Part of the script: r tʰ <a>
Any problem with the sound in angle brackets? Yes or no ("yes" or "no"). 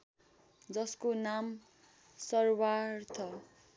yes